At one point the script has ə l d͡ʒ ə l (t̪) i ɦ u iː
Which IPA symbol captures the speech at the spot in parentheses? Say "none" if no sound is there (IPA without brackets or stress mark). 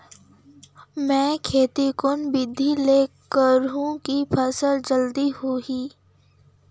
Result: d̪